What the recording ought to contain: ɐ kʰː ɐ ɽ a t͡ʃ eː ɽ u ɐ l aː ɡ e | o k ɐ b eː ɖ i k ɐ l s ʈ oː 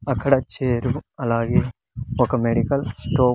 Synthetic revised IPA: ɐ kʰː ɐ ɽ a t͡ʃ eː ɾ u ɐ l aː ɡ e | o k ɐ m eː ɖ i k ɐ l s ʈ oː